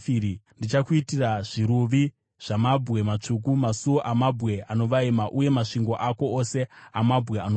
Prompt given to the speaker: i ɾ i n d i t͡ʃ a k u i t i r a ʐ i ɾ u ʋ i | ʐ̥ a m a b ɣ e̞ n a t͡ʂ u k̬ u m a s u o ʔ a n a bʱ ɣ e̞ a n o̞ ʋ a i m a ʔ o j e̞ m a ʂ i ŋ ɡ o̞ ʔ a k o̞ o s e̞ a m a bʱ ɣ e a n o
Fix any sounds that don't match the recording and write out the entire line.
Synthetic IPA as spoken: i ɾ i n d i t͡ʃ a k u i t i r a ʐ i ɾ u ʋ i | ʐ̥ a m a b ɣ e̞ m a t͡ʂ u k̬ u m a s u o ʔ a m a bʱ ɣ e̞ a n o̞ ʋ a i m a ʔ u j e̞ m a ʂ i ŋ ɡ o̞ ʔ a k o̞ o s e̞ a m a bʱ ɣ e a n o